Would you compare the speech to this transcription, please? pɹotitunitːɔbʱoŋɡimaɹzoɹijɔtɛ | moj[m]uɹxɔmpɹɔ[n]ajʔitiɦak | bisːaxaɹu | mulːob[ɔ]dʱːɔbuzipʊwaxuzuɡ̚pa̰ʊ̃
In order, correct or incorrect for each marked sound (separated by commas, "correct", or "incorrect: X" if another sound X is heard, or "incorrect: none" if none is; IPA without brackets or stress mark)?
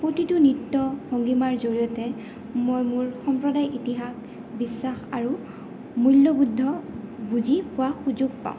correct, incorrect: d, incorrect: u